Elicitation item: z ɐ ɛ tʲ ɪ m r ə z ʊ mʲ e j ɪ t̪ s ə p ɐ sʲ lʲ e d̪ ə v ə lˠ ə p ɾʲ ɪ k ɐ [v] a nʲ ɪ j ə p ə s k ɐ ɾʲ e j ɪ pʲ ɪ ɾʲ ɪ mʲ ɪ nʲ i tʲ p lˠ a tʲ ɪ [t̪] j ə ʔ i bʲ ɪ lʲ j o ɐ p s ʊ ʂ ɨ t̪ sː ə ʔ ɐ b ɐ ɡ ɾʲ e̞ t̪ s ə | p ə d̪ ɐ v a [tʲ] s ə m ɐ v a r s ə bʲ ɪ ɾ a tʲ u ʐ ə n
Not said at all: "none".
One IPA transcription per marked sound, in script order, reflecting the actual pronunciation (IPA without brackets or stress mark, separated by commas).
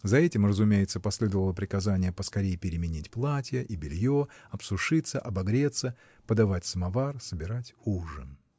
z, none, tʲ